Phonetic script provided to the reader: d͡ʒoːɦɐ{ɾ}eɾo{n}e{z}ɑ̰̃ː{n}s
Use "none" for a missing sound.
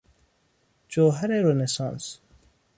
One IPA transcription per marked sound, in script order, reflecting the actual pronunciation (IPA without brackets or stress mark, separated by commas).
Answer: ɾ, n, s, n